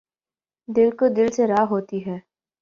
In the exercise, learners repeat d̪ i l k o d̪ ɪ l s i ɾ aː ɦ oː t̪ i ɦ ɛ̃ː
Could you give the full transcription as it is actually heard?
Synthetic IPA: d̪ ɪ l k o d̪ ɪ l s e ɾ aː ɦ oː t̪ i ɦ ɛː